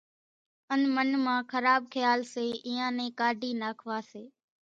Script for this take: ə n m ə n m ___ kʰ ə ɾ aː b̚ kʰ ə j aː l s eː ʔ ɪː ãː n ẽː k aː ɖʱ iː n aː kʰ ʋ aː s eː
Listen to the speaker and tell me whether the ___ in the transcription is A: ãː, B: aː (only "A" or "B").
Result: A